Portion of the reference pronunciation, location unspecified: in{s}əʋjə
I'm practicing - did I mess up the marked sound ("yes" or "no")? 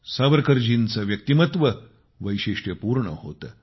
yes